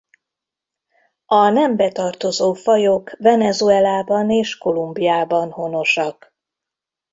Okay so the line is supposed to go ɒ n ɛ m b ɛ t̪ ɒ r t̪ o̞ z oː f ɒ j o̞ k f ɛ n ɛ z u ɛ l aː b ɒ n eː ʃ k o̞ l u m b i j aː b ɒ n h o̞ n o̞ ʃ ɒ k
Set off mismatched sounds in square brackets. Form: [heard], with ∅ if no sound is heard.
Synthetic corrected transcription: ɒ n ɛ m b ɛ t̪ ɒ r t̪ o̞ z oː f ɒ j o̞ k [v] ɛ n ɛ z u ɛ l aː b ɒ n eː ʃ k o̞ l u m b i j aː b ɒ n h o̞ n o̞ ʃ ɒ k